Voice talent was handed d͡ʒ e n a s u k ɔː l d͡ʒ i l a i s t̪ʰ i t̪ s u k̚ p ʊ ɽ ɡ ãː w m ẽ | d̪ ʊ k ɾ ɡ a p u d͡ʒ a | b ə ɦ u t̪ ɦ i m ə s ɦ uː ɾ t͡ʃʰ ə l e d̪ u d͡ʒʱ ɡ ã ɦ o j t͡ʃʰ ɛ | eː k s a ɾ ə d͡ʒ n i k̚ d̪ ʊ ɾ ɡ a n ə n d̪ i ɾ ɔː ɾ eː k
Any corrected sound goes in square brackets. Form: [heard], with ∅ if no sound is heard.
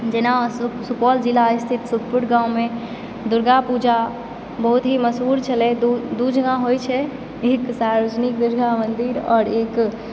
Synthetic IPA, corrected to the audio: d͡ʒ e n a s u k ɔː l d͡ʒ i l a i s t̪ʰ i t̪ s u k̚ p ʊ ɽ ɡ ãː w m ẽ | d̪ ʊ [∅] ɾ ɡ a p u d͡ʒ a | b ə ɦ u t̪ ɦ i m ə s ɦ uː ɾ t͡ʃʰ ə l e d̪ u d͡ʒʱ ɡ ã ɦ o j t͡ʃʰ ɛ | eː k s a ɾ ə d͡ʒ n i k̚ d̪ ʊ ɾ ɡ a [m] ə n d̪ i ɾ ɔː ɾ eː k